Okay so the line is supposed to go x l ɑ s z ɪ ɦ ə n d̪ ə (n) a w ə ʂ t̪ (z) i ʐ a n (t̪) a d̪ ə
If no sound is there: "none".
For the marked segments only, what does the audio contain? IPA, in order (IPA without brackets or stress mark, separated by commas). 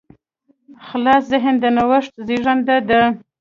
n, z, d̪